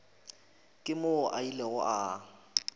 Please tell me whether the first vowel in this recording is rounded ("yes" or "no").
no